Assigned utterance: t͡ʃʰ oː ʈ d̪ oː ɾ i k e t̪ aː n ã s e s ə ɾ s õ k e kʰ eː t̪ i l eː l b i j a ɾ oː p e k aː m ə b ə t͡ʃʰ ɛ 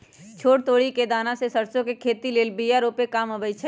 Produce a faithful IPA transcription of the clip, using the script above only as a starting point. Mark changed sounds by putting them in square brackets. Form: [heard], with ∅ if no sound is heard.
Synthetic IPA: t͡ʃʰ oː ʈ [t̪] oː [ɽ] i k e [d̪] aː n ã s e s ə ɾ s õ k e kʰ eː t̪ i l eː l b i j a ɾ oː p e k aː m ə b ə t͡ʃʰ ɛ